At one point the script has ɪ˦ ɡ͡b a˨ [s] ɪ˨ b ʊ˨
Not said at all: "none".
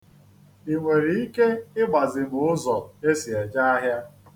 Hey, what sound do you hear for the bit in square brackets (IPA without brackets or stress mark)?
z